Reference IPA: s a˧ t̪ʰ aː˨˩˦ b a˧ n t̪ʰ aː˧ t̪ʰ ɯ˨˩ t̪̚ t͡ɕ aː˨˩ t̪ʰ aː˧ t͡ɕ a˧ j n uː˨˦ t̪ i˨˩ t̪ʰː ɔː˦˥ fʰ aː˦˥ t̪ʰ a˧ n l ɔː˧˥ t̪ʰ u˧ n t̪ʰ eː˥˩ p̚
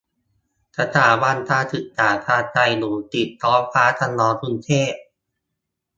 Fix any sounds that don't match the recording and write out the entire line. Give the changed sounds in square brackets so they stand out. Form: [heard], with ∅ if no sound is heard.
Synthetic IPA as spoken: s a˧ t̪ʰ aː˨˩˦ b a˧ n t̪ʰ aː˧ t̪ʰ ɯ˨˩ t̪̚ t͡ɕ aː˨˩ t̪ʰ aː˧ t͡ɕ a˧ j n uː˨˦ t̪ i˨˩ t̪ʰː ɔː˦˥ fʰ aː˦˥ t̪ʰ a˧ n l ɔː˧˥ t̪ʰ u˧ n t̪ʰ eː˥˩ p̚